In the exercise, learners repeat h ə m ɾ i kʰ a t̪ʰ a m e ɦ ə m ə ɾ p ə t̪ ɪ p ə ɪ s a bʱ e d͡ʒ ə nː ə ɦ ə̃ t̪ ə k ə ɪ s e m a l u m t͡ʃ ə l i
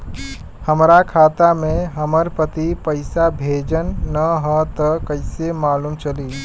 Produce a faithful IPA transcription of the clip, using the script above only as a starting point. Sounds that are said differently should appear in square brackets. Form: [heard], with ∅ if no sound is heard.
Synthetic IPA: h ə m ɾ [a] kʰ a [t̪] a m e ɦ ə m ə ɾ p ə t̪ [i] p ə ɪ s a bʱ e d͡ʒ ə nː ə ɦ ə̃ t̪ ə k ə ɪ s e m a l u m t͡ʃ ə l i